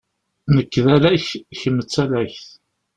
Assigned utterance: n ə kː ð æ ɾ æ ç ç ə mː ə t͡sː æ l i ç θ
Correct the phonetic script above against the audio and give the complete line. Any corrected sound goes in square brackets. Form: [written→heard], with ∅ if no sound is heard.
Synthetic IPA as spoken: n ə kː ð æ [ɾ→l] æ ç ç ə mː ə t͡sː æ l [i→æ] ç θ